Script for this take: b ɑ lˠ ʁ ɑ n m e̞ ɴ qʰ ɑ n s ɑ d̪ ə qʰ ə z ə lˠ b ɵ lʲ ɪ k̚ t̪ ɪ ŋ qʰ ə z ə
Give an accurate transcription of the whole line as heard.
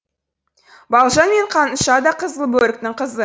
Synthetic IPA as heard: b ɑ lˠ ʒ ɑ n m e̞ ɴ qʰ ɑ n ʃ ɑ d̪ ɑ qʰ ə z ə lˠ b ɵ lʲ ɪ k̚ t̪ ɪ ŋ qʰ ə z ə